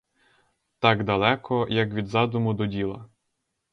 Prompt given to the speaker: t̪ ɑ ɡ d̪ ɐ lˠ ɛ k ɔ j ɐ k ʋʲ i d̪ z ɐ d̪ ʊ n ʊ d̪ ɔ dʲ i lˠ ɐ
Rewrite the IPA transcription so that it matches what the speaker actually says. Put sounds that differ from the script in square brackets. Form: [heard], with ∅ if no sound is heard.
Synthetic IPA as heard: t̪ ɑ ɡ d̪ ɐ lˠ ɛ k ɔ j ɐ k ʋʲ i d̪ z [ɑ] d̪ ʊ [m] ʊ d̪ ɔ dʲ i lˠ ɐ